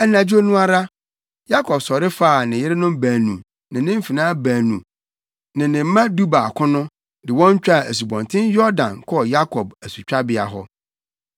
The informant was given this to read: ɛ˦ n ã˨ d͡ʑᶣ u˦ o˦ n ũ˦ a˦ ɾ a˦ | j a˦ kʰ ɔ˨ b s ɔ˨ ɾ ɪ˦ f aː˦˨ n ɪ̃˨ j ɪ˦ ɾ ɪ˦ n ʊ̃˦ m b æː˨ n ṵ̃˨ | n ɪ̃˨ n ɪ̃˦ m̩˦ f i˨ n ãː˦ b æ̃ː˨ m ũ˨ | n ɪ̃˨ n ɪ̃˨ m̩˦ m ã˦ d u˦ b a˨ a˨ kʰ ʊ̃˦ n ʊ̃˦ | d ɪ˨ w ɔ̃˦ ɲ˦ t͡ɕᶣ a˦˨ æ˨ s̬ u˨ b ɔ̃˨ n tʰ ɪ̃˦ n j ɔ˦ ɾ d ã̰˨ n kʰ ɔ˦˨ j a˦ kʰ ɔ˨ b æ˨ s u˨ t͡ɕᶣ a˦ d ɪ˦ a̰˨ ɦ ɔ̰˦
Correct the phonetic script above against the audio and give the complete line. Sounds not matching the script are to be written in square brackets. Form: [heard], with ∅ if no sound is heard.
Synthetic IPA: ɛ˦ n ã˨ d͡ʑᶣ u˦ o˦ n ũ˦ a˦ ɾ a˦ | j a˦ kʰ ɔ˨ b s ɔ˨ ɾ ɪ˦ f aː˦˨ n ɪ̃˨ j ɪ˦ ɾ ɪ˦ n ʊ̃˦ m b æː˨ n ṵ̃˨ | n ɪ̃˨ n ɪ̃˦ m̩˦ f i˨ n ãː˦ b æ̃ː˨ [n] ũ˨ | n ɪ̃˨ n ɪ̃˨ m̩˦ m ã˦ d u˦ b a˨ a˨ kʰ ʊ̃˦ n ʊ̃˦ | d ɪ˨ w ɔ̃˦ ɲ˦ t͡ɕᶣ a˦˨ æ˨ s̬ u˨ b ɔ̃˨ n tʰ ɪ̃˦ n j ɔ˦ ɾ d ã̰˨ n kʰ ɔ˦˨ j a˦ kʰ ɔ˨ b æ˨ s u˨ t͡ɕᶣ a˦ [b] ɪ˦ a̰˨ ɦ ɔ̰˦